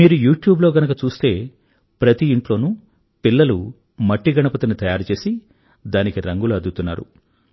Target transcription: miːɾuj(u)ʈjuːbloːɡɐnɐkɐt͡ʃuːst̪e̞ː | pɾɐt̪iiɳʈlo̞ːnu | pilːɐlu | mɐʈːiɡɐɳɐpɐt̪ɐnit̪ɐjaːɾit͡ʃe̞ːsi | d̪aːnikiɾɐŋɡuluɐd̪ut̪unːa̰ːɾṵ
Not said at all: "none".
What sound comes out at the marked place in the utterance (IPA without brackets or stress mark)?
uː